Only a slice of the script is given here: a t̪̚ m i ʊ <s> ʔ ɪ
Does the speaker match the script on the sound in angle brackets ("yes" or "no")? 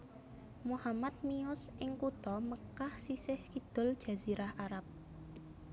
yes